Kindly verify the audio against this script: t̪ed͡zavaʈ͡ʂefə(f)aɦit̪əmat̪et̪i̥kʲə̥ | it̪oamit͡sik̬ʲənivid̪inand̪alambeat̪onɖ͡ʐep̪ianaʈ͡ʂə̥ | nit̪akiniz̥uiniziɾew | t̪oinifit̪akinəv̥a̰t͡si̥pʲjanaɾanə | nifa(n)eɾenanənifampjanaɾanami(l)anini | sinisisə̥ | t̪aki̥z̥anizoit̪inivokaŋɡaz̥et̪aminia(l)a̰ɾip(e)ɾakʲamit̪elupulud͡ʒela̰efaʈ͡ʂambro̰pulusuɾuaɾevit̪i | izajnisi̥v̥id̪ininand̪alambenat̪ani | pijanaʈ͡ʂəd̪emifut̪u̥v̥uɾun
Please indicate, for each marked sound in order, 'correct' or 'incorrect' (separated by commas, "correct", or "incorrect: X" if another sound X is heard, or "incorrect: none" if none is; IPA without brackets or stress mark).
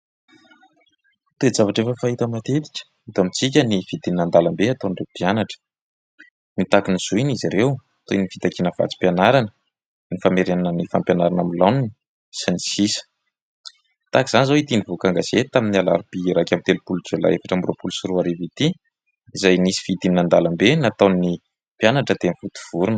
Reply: correct, incorrect: m, correct, correct, incorrect: i